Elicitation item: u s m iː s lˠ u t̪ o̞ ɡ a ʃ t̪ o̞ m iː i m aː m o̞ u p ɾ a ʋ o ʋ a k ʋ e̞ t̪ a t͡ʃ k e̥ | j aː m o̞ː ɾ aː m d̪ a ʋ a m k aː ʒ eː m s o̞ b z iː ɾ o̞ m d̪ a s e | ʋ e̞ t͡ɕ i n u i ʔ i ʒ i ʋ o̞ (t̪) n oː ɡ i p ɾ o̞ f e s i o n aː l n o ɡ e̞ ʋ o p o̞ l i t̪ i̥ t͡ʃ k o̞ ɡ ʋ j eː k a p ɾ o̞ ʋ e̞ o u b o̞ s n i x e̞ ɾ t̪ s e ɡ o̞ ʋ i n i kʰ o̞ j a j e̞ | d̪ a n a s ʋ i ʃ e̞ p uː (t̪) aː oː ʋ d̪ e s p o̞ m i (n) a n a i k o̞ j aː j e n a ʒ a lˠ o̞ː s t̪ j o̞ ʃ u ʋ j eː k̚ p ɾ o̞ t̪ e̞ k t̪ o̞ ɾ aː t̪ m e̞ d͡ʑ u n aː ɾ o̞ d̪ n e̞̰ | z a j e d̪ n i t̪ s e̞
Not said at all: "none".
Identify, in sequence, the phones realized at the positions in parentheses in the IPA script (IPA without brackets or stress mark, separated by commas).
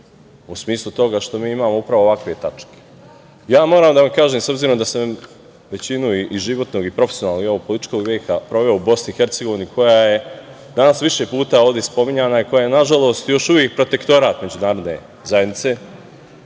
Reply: t̪, t̪, ɲ